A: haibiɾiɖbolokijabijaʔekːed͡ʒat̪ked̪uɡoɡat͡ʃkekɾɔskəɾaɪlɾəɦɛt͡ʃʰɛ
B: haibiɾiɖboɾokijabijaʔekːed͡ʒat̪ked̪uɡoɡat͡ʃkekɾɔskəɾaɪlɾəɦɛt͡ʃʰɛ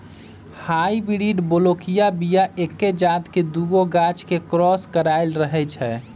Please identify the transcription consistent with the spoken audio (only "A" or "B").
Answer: A